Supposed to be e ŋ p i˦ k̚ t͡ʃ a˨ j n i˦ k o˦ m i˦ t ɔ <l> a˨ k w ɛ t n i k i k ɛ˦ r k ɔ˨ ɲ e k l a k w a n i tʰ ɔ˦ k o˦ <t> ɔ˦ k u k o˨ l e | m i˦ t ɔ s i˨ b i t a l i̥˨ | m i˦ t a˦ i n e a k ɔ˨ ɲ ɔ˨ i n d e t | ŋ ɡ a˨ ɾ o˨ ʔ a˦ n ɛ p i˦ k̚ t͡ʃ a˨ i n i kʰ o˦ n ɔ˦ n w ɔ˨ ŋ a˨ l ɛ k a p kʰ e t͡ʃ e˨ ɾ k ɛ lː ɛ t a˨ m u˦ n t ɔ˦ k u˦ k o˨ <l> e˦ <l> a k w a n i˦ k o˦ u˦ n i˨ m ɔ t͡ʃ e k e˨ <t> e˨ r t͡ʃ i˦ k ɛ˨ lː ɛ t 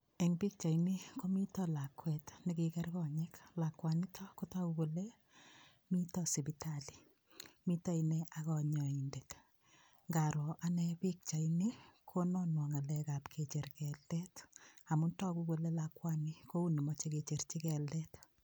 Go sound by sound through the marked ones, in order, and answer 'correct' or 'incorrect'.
correct, correct, correct, correct, incorrect: t͡ʃ

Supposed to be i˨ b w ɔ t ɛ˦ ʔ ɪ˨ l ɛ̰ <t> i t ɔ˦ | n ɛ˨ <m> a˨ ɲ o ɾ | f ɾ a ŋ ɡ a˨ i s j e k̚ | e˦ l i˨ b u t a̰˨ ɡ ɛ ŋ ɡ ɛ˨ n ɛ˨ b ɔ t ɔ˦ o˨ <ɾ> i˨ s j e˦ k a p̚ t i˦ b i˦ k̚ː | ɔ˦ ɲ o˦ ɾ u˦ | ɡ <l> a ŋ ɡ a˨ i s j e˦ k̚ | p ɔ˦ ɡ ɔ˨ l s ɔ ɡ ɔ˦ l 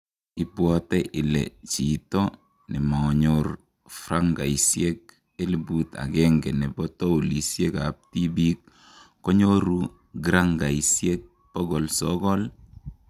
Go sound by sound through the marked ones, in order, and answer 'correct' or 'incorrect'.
incorrect: t͡ʃ, correct, incorrect: l, incorrect: ɾ

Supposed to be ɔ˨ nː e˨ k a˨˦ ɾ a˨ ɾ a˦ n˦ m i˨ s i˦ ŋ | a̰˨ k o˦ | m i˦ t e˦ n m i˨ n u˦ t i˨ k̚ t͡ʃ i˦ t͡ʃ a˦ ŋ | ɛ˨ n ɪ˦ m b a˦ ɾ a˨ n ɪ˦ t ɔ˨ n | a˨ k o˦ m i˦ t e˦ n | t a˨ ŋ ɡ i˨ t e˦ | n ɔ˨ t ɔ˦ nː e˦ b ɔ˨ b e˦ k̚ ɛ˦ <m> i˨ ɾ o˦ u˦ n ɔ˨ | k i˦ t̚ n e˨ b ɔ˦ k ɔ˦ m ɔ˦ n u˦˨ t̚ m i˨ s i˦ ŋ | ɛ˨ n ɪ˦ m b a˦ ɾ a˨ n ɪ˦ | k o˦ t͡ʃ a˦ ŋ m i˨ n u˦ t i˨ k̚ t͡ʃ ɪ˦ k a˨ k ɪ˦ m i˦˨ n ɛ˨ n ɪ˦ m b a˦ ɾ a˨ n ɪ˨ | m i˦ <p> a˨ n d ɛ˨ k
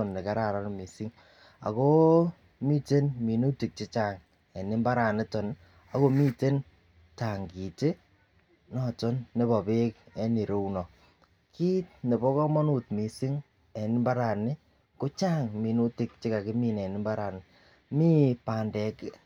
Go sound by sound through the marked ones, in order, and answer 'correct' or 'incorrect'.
incorrect: n, correct

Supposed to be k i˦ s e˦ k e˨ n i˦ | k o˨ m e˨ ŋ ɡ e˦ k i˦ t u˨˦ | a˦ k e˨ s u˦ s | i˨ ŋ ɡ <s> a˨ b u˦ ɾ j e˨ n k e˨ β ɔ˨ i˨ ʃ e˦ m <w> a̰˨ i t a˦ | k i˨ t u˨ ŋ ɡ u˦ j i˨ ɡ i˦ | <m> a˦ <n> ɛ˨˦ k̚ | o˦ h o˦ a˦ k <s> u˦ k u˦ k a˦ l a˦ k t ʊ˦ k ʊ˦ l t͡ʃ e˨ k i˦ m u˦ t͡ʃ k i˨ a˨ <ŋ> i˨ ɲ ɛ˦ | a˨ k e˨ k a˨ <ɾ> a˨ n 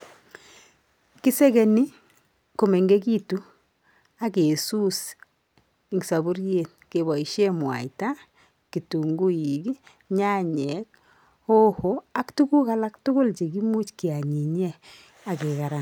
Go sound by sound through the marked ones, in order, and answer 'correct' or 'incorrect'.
correct, correct, incorrect: ɲ, incorrect: ɲ, incorrect: t, incorrect: ɲ, correct

